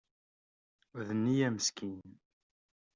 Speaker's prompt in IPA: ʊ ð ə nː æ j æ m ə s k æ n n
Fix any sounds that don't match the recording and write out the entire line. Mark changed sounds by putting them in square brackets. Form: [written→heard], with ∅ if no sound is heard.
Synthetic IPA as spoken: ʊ ð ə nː [æ→i] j æ m ə s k [æ→i] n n